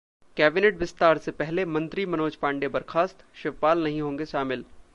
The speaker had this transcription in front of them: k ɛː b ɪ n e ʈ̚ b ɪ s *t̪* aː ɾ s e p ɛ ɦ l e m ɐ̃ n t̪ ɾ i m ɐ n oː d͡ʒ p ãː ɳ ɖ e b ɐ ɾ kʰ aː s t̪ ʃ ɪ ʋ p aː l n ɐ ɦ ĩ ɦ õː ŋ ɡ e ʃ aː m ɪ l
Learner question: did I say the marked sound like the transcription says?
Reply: yes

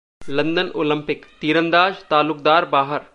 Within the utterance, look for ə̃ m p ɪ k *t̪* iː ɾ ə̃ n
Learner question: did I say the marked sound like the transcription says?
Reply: yes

